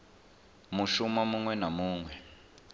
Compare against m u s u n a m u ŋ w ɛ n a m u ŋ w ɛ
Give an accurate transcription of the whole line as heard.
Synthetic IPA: m u ʃ u m a m u ŋ w ɛ n a m uː ŋ w ɛ